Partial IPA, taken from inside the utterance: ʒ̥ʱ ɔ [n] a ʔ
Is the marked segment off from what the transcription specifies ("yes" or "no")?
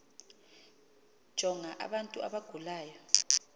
yes